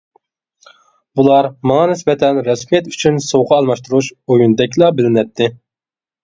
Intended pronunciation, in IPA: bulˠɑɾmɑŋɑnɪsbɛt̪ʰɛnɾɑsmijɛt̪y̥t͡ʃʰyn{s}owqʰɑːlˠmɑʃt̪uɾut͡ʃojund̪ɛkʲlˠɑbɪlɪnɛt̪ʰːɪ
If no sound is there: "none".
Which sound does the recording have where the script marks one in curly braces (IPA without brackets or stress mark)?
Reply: s